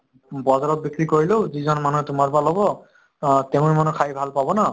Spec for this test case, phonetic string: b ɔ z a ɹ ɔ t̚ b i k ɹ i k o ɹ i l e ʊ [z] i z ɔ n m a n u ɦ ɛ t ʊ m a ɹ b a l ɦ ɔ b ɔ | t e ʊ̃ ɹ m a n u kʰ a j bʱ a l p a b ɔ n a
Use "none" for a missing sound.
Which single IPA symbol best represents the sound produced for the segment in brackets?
z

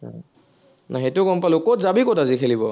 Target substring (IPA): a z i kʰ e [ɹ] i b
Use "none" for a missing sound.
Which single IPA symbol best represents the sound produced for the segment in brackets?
l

